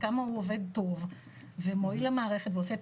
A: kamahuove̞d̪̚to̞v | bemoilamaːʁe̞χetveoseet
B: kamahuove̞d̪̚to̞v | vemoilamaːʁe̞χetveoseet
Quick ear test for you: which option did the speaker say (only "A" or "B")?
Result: B